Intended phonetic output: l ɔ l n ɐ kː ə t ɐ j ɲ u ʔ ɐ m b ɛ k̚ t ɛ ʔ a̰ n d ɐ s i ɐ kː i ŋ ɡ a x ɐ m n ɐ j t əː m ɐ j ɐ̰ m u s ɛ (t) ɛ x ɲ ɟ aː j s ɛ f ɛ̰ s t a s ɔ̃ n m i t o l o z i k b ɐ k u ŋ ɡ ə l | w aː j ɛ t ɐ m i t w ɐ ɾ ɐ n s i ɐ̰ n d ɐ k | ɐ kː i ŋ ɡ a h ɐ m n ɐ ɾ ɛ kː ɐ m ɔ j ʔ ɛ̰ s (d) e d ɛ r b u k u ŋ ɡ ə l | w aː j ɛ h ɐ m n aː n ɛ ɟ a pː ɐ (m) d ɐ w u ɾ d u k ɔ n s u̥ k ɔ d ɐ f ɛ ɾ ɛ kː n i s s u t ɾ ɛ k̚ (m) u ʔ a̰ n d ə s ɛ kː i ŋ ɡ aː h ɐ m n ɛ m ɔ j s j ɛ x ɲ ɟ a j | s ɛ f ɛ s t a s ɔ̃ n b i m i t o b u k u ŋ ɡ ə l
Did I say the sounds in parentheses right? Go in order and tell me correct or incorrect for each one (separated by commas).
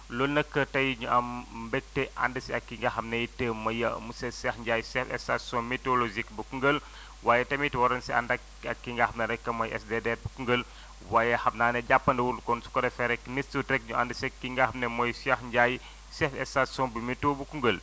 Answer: incorrect, correct, incorrect, incorrect